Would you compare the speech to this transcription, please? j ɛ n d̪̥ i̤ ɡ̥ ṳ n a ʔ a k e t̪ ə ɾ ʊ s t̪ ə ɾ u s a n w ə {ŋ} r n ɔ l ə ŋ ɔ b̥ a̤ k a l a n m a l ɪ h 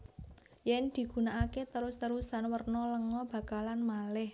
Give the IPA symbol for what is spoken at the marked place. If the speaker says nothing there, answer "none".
none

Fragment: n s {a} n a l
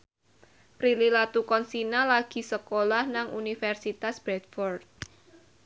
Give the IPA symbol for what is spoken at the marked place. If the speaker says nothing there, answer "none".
i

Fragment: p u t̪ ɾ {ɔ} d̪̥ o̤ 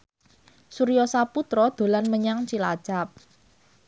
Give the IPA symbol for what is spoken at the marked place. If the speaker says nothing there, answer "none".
ɔ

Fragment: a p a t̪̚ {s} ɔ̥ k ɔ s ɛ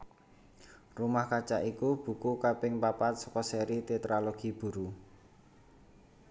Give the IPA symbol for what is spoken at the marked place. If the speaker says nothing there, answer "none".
s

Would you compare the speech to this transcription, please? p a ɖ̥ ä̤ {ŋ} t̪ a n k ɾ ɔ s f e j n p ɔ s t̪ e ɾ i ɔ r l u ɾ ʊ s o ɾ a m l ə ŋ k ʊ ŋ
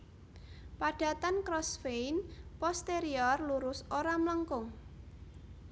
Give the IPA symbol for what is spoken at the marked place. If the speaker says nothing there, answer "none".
none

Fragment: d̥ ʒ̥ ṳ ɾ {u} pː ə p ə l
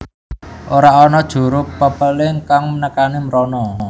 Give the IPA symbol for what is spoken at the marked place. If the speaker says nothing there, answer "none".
ʊ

